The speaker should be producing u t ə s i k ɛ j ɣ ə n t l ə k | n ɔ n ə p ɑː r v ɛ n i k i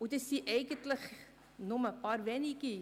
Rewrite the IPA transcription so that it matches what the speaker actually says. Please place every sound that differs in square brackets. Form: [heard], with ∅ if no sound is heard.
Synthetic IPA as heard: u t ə s i [ʔ] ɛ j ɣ ə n t l ə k | n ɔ [m] ə p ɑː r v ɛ n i k i